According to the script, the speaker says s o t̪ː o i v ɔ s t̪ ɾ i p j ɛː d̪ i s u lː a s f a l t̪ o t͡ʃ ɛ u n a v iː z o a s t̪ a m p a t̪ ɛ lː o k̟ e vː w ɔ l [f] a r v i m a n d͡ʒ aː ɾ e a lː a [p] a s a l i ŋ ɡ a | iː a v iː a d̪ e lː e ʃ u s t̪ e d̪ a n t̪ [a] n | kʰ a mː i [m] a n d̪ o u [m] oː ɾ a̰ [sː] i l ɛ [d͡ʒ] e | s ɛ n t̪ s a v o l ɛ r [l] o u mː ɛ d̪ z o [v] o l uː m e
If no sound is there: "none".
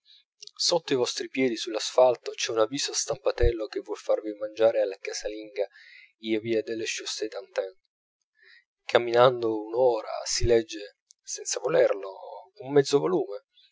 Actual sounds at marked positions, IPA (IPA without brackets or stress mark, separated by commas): f, k, ɛ, n, n, s, d͡ʒː, l, v